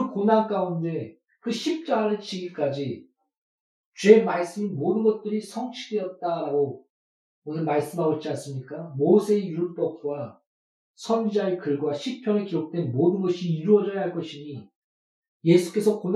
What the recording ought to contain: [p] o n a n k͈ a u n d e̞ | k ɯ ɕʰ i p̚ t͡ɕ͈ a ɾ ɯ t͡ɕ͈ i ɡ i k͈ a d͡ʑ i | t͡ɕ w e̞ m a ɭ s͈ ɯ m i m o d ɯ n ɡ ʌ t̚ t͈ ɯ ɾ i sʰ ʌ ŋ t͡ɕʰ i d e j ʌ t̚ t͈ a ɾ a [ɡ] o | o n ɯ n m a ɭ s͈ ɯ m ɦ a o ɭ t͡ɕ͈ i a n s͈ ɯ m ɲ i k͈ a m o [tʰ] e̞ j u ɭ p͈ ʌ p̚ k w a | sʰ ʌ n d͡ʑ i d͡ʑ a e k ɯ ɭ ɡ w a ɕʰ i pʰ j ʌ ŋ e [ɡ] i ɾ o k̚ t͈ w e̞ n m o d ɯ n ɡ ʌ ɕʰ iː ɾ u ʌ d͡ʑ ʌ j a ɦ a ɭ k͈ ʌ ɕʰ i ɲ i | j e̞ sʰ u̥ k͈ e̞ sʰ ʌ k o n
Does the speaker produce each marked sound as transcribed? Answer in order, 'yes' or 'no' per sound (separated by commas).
no, yes, no, no